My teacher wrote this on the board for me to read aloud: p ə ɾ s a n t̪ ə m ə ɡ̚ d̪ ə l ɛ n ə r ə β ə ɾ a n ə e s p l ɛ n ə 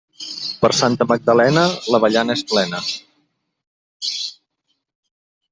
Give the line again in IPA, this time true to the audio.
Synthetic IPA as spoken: p ə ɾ s a n t̪ ə m ə ɡ̚ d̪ ə l ɛ n ə l ə β ə ʎ a n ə e s p l ɛ n ə